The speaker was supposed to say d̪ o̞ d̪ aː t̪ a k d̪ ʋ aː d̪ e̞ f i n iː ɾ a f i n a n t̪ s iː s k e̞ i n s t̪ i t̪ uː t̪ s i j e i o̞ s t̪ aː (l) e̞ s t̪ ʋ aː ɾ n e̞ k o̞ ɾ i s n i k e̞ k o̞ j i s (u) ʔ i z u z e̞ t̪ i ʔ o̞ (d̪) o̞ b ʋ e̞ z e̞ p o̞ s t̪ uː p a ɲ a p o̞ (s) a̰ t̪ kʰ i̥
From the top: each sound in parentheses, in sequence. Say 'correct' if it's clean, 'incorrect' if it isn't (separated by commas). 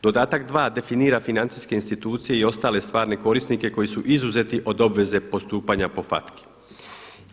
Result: correct, correct, correct, incorrect